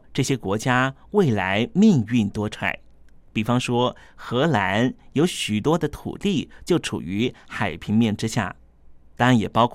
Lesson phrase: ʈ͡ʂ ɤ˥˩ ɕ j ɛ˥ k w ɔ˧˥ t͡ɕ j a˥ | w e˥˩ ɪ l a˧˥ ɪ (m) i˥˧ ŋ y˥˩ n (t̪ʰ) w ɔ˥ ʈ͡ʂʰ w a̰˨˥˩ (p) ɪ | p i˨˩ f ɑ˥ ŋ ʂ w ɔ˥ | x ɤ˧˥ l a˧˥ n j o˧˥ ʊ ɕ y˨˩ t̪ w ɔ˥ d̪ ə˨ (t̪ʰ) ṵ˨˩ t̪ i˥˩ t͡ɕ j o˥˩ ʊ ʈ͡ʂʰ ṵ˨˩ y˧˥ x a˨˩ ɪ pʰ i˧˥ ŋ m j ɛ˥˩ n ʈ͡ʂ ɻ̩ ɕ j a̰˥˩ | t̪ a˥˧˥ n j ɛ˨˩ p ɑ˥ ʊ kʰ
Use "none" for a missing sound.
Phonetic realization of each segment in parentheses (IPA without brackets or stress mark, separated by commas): m, t̪, none, t̪ʰ